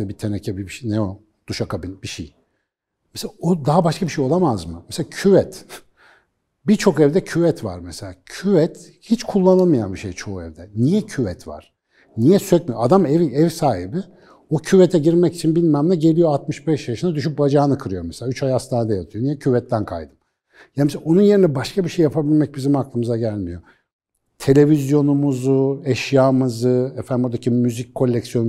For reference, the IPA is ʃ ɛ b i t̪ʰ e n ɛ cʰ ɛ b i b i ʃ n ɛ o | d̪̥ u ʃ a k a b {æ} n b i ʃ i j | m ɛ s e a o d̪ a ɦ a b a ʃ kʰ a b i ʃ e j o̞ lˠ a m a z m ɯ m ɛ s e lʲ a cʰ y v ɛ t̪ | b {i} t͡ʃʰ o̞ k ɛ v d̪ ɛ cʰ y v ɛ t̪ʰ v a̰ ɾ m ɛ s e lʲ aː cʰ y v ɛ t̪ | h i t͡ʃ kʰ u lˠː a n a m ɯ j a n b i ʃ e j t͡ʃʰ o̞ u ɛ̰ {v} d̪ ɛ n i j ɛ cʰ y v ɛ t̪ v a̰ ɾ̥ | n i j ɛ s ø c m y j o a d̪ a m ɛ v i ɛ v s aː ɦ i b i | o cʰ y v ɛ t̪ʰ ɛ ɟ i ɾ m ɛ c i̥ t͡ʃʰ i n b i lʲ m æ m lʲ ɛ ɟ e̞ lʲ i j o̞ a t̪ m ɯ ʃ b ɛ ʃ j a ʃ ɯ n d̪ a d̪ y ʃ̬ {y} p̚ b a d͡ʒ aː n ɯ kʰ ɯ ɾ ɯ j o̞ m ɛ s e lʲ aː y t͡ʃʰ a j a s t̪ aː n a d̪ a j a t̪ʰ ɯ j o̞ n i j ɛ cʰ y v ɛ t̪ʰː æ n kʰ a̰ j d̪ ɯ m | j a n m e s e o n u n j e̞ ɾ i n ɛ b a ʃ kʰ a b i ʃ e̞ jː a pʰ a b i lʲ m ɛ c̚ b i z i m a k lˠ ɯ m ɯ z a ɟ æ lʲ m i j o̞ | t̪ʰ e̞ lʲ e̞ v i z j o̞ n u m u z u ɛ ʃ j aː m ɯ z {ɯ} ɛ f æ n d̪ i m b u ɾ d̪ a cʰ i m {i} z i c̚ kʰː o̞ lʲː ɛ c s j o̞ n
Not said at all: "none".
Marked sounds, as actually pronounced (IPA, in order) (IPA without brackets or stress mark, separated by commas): i, i, v, y, ɯ, y